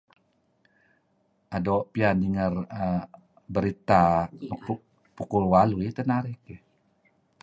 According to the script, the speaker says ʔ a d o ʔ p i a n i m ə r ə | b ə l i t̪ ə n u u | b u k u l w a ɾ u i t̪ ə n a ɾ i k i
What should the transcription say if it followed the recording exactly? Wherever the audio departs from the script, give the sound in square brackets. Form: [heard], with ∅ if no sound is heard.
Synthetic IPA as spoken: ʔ a d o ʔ p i a n i [ŋ] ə r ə | b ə [ɾ] i t̪ [a] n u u | [p] u k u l w a [l] u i t̪ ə n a ɾ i k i